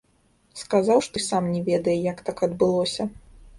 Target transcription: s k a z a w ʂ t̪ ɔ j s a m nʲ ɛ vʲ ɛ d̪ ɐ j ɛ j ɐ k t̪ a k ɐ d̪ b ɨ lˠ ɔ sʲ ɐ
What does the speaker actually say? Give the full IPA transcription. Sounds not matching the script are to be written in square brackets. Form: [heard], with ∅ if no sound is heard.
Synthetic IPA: s k a z a w ʂ t̪ ɔ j s a m nʲ ɛ vʲ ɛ d̪ ɐ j ɛ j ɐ k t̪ a k ɐ d̪ b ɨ lˠ ɔ sʲ ɐ